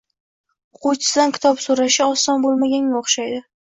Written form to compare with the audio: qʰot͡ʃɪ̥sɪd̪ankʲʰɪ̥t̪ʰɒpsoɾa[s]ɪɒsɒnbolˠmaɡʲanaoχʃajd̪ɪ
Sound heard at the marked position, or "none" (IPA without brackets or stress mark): ʃ